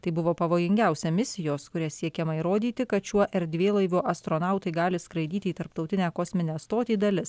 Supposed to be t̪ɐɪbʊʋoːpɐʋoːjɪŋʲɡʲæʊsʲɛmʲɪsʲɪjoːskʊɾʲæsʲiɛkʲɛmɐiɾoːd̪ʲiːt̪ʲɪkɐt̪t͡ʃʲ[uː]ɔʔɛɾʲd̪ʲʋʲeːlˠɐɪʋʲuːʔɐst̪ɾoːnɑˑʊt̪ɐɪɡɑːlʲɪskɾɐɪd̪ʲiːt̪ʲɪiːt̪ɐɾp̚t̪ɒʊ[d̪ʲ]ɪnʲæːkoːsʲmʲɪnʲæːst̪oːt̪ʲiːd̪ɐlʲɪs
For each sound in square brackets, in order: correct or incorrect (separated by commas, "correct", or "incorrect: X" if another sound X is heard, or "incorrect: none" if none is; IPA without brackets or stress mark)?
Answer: incorrect: u, incorrect: t̪ʲ